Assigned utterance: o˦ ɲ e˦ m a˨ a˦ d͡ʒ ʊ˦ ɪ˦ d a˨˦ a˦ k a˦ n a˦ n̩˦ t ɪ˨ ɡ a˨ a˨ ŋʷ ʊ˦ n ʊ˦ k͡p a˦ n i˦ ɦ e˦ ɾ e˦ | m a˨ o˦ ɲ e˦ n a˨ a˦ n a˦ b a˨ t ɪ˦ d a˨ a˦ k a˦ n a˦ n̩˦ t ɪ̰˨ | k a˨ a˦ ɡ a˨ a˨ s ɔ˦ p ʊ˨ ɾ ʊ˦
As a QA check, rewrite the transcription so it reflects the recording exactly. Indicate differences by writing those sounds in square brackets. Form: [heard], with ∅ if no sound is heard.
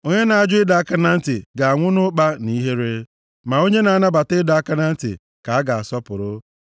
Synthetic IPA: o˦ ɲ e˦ [n] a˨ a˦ d͡ʒ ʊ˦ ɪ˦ d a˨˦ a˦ k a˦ n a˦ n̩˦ t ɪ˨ ɡ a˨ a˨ ŋʷ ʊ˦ n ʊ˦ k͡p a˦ n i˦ ɦ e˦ ɾ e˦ | m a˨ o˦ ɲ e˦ n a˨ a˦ n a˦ b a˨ t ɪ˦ d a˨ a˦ k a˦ n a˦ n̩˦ t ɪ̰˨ | k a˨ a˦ ɡ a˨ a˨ s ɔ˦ p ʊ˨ ɾ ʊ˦